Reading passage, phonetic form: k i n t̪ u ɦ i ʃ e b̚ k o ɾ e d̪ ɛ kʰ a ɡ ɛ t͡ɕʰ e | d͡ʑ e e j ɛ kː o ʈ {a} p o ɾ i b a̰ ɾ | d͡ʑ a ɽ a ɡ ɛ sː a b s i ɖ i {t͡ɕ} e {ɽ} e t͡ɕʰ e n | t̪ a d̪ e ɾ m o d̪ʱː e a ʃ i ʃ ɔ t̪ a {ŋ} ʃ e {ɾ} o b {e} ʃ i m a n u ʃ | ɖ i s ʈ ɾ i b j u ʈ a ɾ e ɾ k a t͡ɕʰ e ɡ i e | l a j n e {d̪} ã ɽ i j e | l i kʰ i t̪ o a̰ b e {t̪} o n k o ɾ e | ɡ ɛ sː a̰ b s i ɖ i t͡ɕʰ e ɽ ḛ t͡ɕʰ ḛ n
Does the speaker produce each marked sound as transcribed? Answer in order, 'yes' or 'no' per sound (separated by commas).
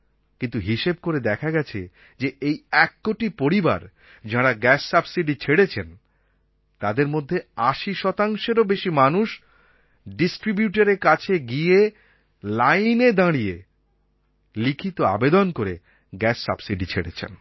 no, no, yes, yes, yes, yes, yes, no